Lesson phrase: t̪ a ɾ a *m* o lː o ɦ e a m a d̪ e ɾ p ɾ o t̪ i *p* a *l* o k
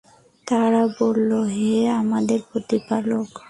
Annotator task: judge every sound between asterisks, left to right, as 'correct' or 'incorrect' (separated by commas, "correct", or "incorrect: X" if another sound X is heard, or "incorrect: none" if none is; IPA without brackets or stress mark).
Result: incorrect: b, correct, correct